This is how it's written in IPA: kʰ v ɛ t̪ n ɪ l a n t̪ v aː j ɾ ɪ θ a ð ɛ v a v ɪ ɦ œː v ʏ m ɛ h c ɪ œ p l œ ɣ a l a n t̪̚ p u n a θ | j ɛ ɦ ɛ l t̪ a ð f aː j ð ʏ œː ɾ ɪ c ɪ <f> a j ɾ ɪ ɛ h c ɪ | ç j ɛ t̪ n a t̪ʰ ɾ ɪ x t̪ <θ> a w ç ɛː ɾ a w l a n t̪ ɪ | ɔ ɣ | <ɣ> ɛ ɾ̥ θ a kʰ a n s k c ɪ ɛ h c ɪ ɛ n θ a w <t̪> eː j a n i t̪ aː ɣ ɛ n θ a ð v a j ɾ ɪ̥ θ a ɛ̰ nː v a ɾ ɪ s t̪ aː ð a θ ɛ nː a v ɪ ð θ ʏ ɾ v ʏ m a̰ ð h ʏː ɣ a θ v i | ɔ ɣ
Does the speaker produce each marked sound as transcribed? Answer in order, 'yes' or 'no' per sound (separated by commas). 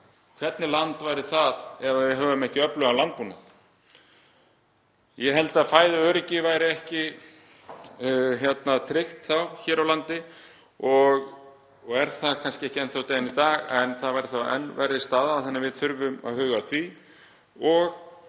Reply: no, yes, yes, yes